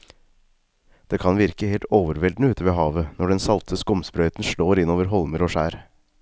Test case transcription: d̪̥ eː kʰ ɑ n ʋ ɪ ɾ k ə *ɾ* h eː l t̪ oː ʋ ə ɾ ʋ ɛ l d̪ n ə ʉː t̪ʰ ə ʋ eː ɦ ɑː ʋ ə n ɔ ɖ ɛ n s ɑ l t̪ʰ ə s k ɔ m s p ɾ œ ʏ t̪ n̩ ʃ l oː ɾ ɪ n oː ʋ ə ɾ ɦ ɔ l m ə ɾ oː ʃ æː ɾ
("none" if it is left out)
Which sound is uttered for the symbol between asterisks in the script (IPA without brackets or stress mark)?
none